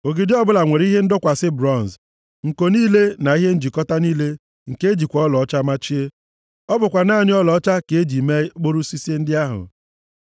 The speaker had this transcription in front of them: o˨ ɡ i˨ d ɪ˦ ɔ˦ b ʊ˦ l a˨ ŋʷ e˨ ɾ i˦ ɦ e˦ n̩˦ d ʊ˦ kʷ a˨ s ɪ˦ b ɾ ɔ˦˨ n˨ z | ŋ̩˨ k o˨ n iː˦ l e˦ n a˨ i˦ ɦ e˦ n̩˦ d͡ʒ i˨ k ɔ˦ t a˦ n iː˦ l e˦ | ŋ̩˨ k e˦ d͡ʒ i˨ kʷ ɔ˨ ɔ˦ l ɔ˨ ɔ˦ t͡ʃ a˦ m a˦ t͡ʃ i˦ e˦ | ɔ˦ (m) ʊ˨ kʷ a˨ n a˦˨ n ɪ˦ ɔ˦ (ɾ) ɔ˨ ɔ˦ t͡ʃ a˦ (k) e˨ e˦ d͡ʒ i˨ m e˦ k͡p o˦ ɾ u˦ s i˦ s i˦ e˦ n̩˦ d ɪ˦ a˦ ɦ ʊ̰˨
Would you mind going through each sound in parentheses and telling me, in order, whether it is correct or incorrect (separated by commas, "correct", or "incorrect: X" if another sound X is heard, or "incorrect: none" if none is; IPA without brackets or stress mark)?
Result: incorrect: b, incorrect: l, correct